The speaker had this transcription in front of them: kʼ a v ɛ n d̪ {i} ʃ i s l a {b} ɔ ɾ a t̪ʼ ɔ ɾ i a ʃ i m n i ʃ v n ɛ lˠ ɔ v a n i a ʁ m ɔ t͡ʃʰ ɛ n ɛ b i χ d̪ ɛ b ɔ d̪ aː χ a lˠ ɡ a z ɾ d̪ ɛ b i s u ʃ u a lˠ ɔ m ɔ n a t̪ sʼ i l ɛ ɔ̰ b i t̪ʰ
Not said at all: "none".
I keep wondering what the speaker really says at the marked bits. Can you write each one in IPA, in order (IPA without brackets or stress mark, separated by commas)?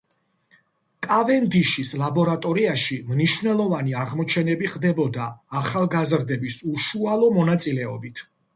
i, b